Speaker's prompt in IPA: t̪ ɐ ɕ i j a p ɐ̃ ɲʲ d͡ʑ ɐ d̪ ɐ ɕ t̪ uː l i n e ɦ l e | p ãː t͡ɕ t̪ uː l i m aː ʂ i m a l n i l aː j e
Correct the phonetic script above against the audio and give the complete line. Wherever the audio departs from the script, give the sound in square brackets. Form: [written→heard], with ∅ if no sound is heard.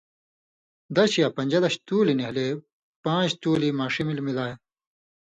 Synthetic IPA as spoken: [t̪→d̪] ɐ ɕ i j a p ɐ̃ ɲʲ d͡ʑ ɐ d̪ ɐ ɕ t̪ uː l i n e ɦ l e | p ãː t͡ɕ t̪ uː l i m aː ʂ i m [a→i] l [n→m] i l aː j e